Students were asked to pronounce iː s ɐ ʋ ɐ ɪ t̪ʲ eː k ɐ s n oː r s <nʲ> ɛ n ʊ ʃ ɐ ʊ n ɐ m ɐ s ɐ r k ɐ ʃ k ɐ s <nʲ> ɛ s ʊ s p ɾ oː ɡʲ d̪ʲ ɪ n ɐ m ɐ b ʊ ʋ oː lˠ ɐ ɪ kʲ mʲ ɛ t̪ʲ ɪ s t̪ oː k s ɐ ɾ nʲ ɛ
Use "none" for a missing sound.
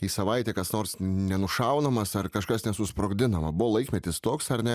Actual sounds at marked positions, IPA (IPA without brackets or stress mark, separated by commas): nʲ, nʲ